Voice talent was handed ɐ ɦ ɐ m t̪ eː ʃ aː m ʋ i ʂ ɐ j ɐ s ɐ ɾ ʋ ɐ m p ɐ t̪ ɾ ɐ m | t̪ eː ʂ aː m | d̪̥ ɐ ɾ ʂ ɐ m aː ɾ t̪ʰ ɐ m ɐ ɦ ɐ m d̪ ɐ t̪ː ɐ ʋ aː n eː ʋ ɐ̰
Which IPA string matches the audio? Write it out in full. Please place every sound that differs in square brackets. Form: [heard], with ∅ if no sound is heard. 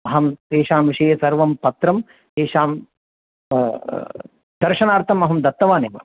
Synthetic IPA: ɐ ɦ ɐ m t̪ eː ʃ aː m ʋ i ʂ ɐ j ɐ s ɐ ɾ ʋ ɐ m p ɐ t̪ ɾ ɐ m | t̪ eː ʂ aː m | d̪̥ ɐ ɾ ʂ ɐ [n] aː ɾ t̪ʰ ɐ m ɐ ɦ ɐ m d̪ ɐ t̪ː ɐ ʋ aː n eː ʋ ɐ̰